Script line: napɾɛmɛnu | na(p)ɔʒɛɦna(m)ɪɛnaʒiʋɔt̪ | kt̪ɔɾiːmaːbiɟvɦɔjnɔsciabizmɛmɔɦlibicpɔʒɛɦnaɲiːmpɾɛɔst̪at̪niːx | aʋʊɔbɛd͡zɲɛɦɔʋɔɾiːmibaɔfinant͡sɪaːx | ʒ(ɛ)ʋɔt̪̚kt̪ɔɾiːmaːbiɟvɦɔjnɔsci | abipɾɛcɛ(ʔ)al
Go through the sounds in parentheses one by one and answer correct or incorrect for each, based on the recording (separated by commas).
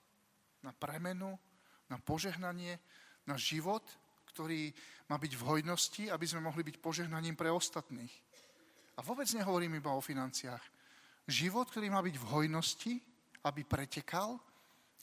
correct, incorrect, incorrect, incorrect